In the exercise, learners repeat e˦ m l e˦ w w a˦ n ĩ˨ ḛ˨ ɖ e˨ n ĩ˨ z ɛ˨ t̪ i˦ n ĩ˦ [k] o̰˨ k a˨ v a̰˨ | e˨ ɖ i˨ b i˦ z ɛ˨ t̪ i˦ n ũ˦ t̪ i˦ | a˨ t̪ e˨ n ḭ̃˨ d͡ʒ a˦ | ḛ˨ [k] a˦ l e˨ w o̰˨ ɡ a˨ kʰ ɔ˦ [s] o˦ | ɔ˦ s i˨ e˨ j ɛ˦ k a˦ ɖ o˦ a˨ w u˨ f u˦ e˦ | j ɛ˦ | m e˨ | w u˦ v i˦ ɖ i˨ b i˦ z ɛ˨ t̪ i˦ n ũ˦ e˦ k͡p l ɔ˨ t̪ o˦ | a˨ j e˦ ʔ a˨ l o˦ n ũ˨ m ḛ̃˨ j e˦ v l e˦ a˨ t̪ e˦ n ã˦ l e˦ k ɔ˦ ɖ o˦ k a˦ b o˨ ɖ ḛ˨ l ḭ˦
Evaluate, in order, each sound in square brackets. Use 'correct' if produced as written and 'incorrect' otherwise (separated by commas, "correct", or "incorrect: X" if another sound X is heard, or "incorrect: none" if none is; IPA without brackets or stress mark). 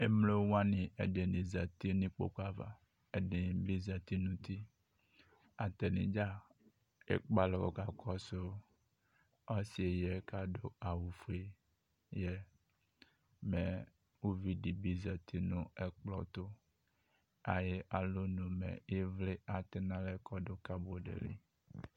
incorrect: k͡p, incorrect: k͡p, correct